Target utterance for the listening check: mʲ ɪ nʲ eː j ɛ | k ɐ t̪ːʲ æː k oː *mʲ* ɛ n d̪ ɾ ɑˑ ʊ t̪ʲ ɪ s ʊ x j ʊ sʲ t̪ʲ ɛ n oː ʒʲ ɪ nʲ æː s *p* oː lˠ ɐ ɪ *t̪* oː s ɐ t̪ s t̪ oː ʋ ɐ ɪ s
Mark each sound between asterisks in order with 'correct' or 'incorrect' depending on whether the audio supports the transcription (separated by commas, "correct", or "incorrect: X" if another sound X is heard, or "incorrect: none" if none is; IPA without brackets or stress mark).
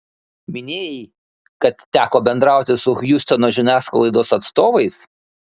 incorrect: bʲ, incorrect: k, incorrect: d̪